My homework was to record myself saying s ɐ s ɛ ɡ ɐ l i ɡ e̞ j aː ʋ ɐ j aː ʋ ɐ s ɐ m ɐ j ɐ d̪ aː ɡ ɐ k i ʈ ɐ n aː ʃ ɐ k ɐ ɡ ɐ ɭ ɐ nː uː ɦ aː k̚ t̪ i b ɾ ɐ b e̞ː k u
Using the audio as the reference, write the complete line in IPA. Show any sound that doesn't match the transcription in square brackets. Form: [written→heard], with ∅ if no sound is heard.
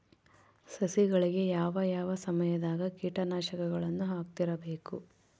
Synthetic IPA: s ɐ s [ɛ→i] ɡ ɐ [l→ɭ] i ɡ e̞ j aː ʋ ɐ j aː ʋ ɐ s ɐ m ɐ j ɐ d̪ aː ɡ ɐ k [i→iː] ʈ ɐ n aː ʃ ɐ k ɐ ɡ ɐ ɭ ɐ nː [uː→u] ɦ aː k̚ t̪ i [b→∅] ɾ ɐ b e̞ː k u